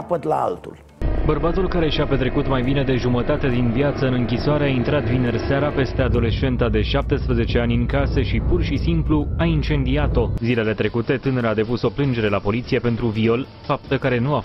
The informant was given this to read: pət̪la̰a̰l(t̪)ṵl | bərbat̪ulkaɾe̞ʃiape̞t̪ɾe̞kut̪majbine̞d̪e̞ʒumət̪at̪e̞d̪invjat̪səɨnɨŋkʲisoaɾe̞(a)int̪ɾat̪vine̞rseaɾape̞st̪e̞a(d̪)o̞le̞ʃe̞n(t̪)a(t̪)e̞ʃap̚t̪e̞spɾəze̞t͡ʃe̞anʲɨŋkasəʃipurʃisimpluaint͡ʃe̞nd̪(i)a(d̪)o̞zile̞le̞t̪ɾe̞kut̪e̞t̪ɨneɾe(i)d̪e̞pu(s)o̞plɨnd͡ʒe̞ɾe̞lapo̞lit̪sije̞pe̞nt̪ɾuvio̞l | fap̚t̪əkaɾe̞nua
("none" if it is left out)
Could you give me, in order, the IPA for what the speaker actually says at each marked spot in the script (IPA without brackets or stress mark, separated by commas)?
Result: t̪, a, d̪, t̪, d̪, i, t̪, a, s